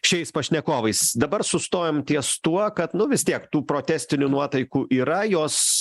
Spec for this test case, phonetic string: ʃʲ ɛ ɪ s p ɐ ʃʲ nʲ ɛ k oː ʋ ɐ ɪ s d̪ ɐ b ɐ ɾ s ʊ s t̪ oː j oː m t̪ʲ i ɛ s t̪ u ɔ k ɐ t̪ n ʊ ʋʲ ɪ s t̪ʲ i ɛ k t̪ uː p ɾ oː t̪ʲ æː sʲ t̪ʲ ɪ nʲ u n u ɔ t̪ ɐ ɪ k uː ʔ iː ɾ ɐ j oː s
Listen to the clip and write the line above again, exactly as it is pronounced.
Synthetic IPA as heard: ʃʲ ɛ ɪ s p ɐ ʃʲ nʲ ɛ k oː ʋ ɐ ɪ s d̪ ɐ b ɐ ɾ s ʊ s t̪ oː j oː m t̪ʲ i ɛ s t̪ u ɔ k ɐ t̪ n ʊ ʋʲ ɪ s t̪ʲ i ɛ k t̪ uː p ɾ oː t̪ʲ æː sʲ t̪ʲ ɪ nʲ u n u ɔ t̪ ɐ ɪ k uː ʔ iː ɾ ɐ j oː s